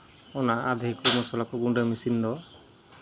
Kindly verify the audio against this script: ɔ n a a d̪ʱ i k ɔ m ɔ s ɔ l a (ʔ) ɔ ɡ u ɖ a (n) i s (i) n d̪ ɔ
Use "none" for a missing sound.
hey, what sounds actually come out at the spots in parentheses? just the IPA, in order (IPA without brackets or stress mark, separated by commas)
k, m, i